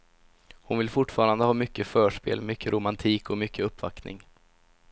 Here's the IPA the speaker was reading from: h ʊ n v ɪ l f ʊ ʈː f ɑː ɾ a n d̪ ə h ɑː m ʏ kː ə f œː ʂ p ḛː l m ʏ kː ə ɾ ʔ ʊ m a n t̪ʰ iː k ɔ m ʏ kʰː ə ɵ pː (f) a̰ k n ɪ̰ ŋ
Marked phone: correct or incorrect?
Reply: incorrect